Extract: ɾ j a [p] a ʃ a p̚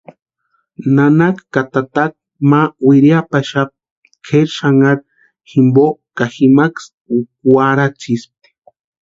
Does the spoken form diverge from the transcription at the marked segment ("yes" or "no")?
no